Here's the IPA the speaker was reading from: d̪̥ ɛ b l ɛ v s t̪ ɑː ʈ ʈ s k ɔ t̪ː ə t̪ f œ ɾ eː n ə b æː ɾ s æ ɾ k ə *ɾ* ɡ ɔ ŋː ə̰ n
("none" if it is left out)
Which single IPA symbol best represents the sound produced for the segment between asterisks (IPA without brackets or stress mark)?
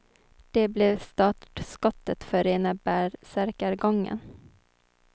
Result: ɾ